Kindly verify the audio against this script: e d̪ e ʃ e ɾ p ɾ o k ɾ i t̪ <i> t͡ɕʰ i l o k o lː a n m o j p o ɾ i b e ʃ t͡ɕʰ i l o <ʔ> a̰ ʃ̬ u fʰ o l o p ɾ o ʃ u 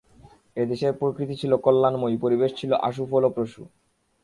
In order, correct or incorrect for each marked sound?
correct, correct

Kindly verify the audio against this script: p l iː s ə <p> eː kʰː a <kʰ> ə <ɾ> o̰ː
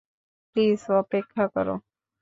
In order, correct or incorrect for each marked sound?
correct, incorrect, correct

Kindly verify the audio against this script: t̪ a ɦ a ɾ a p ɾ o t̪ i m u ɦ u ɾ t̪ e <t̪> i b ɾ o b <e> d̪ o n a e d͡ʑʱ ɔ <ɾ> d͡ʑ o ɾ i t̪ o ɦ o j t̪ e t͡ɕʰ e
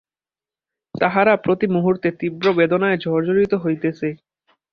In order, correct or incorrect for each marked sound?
correct, correct, correct

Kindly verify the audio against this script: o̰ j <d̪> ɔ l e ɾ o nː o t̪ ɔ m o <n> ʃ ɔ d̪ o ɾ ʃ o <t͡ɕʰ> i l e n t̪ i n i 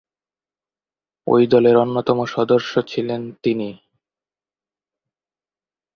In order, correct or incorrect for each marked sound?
correct, incorrect, correct

